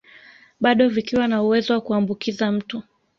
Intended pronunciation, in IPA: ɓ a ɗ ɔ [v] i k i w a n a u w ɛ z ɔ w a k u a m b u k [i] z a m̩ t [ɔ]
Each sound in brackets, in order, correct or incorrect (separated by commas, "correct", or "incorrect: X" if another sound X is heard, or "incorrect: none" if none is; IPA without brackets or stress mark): correct, correct, incorrect: u